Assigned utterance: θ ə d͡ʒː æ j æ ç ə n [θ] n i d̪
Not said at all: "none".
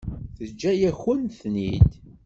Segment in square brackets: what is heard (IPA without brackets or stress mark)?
θ